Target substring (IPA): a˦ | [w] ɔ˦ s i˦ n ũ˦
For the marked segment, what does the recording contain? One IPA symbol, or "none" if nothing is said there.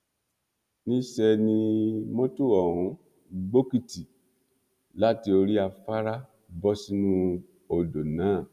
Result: b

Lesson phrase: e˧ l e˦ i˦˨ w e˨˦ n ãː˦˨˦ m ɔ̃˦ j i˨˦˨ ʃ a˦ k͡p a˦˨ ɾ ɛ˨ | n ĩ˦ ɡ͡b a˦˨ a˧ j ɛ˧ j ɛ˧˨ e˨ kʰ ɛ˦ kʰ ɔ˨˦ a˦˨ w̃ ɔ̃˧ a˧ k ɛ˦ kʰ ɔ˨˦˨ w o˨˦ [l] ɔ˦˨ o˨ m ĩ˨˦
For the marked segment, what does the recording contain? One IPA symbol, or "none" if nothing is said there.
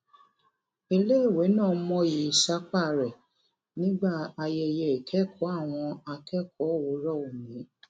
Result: ɾ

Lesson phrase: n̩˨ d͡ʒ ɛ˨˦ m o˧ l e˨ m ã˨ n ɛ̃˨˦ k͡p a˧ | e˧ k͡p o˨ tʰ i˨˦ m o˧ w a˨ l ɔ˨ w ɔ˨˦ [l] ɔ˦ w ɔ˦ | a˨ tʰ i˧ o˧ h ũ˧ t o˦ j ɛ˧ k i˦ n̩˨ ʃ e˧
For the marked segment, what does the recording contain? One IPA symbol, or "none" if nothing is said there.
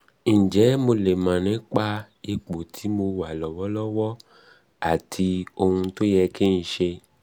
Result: l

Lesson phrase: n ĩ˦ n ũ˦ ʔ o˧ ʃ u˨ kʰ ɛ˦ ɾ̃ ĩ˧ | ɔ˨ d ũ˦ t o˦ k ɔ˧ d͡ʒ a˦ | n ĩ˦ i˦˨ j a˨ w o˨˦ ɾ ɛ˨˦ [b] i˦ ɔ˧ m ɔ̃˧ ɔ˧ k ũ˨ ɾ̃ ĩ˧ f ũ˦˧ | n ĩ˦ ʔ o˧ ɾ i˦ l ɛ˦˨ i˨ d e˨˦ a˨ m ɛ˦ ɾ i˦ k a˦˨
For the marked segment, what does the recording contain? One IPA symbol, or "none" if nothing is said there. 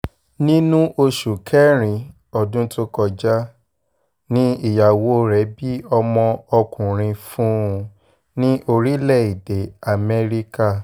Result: b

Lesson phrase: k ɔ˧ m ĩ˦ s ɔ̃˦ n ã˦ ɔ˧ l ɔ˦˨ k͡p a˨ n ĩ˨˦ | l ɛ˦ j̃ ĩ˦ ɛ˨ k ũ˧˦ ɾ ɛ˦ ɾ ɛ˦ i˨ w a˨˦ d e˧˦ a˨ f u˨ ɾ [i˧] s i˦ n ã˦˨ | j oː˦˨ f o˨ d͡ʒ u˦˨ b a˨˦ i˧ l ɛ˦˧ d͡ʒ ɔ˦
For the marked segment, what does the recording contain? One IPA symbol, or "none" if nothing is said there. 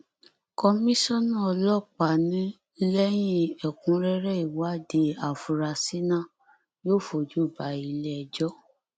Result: a˧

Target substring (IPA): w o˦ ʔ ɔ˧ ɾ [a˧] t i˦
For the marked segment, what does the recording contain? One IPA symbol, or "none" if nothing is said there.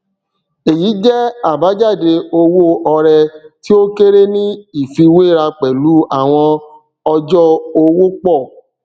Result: ɛ˧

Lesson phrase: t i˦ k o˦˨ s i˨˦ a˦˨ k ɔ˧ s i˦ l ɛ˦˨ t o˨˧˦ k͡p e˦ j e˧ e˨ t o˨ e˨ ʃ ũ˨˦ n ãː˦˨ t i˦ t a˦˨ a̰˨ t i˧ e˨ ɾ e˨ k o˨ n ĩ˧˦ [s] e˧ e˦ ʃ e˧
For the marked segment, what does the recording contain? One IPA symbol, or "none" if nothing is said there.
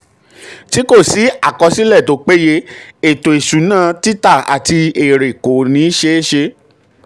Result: ʃ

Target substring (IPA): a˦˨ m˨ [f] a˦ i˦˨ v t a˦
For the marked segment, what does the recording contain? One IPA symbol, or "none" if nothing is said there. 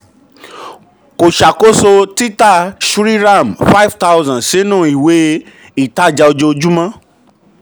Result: f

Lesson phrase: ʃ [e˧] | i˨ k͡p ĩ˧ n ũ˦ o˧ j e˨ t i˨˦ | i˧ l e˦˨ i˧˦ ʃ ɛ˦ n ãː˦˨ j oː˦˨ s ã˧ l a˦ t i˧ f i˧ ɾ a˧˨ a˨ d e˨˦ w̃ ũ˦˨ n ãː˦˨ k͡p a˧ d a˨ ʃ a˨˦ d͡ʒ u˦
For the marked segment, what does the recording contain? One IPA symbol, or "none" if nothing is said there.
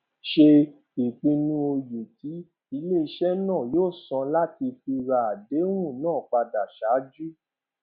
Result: e˧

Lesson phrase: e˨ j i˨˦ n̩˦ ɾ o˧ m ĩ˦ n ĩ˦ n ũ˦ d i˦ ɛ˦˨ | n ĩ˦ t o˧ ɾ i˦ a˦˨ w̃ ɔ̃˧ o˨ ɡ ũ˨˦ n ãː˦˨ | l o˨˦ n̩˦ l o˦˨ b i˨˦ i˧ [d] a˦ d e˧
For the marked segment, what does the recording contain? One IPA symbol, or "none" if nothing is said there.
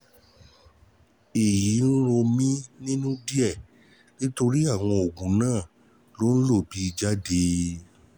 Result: d͡ʒ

